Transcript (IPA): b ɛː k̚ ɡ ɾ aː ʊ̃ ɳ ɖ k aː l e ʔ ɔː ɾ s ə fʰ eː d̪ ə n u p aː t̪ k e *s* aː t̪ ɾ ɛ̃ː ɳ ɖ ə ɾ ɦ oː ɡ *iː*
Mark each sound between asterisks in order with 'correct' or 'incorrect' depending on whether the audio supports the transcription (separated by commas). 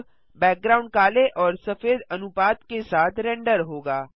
correct, incorrect